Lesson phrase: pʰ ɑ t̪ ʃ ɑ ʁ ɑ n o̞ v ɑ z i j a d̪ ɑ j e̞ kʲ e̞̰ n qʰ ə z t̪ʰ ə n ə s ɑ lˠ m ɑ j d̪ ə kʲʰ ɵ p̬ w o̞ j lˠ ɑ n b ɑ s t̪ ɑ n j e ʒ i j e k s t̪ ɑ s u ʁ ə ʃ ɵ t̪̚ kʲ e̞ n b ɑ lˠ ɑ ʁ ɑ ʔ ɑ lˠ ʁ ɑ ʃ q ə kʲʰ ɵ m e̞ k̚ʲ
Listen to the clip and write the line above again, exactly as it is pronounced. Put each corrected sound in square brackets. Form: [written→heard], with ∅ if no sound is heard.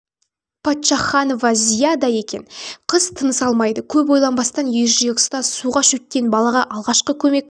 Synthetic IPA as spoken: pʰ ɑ t̪ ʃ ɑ [ʁ→χ] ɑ n o̞ v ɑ z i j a d̪ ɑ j e̞ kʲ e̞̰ n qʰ ə z t̪ʰ ə n ə s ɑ lˠ m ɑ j d̪ ə kʲʰ ɵ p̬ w o̞ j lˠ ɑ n b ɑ s t̪ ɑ n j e ʒ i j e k s t̪ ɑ s u ʁ [ə→ɑ] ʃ ɵ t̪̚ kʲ e̞ n b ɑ lˠ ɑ ʁ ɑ ʔ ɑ lˠ ʁ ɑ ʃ q ə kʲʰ ɵ m e̞ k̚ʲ